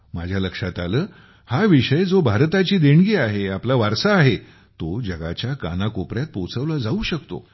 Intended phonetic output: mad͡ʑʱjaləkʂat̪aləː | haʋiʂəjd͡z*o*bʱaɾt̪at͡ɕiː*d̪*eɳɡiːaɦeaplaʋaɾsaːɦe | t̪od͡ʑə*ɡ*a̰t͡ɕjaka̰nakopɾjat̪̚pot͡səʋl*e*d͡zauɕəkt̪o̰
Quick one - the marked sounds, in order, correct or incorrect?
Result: correct, correct, correct, incorrect: a

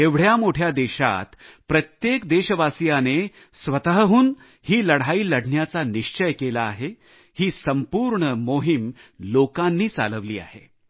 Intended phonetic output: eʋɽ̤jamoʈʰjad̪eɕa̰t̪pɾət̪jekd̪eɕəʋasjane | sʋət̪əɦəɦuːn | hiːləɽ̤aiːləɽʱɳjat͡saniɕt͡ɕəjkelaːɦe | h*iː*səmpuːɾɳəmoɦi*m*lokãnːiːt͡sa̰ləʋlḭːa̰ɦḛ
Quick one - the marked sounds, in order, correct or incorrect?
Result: correct, correct

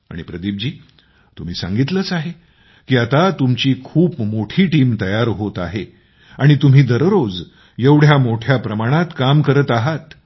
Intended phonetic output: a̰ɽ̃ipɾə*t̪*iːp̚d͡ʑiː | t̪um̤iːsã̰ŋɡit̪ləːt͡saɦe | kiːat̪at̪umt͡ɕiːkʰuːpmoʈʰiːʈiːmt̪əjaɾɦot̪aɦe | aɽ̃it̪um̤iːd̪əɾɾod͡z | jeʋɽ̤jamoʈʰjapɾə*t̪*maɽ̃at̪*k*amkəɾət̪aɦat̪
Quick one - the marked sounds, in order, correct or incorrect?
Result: incorrect: d̪, incorrect: none, correct

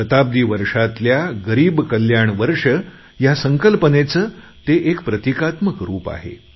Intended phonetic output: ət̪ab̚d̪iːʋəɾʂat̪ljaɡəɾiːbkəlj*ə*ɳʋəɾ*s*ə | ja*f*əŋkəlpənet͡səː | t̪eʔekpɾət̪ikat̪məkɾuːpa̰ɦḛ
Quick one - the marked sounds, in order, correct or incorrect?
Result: incorrect: a, incorrect: ʂ, incorrect: s

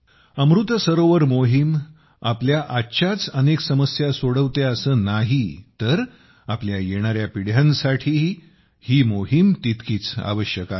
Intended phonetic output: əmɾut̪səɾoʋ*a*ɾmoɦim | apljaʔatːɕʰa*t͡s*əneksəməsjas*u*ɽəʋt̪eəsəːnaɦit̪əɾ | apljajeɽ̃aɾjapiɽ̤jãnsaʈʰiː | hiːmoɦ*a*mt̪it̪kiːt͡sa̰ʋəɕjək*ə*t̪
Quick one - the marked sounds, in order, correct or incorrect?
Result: incorrect: ə, correct, incorrect: o, incorrect: i, incorrect: a

